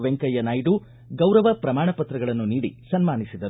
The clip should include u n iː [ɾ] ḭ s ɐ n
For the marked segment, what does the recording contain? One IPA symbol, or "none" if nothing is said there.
ɽ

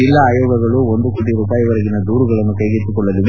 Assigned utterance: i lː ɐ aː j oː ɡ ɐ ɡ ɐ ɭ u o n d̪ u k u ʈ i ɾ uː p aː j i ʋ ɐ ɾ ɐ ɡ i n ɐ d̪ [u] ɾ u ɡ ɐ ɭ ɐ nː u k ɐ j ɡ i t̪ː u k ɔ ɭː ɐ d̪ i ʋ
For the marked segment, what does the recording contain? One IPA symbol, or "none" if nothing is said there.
uː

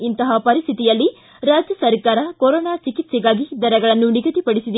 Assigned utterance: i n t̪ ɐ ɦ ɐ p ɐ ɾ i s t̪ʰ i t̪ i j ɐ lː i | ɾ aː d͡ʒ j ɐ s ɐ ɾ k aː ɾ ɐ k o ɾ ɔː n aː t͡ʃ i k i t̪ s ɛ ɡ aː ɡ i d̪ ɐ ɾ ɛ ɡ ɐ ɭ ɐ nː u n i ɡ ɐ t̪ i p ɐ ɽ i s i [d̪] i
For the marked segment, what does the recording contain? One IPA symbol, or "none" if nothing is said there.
d̪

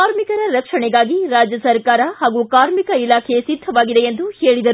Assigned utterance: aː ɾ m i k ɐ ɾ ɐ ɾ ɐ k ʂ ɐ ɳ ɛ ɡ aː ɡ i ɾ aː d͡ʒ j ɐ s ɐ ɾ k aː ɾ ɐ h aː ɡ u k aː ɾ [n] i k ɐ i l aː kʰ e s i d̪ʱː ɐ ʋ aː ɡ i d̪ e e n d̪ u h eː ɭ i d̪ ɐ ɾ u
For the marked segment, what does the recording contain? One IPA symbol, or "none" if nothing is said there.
m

